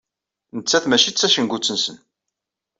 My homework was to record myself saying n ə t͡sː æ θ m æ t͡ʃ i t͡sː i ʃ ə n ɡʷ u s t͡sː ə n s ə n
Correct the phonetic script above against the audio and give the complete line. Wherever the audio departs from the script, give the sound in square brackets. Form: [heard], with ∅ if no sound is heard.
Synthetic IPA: n ə t͡sː æ θ m æ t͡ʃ i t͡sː [æ] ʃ ə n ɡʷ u [∅] t͡sː ə n s ə n